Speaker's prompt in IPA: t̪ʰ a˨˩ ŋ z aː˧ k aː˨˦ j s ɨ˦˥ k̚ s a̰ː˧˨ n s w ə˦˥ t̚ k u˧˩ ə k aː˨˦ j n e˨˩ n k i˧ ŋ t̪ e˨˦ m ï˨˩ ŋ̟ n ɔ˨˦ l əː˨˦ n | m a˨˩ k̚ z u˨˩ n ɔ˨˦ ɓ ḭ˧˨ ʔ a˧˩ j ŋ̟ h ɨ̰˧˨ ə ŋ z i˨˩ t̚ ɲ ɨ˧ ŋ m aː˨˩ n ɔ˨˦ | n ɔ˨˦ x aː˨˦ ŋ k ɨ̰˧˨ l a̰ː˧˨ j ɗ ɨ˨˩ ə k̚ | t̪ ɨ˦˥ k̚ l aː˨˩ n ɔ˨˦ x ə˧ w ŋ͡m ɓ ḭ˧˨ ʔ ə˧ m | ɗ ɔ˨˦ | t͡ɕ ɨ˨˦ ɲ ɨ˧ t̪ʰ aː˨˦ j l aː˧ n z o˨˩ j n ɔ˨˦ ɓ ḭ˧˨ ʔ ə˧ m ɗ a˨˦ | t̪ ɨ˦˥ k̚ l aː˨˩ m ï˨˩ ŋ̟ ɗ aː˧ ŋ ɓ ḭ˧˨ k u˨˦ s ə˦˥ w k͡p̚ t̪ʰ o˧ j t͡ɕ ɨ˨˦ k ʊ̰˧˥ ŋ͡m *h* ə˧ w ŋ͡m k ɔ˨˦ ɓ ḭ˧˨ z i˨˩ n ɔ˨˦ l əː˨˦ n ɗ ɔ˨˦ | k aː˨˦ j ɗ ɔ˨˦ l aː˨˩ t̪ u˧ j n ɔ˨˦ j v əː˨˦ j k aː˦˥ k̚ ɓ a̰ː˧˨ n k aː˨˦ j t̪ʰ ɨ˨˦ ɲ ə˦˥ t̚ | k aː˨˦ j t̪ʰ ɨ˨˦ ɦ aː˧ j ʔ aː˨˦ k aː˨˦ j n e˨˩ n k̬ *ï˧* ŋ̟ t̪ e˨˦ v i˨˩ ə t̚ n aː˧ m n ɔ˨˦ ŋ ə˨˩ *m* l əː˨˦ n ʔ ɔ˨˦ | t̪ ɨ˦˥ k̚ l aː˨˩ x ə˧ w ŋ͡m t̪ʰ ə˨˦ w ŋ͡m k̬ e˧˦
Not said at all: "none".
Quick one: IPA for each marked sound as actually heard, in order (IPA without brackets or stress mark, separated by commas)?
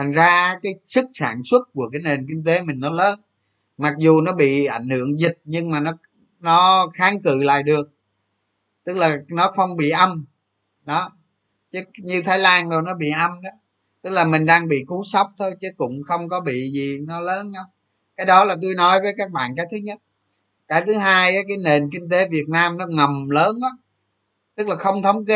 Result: x, ï˧, m